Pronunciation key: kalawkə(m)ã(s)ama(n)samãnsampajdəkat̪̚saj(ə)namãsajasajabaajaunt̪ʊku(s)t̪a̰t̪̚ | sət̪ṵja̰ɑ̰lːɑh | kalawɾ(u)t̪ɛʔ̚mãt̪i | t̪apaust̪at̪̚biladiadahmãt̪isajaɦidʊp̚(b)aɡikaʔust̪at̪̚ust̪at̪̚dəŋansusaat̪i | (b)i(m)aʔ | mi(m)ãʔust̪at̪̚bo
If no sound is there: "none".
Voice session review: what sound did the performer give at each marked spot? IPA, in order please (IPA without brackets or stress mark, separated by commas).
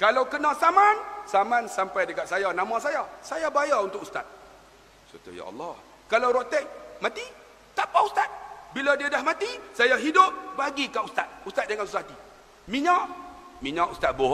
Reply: n, s, n, a, s, o, b, m, ɲ, ɲ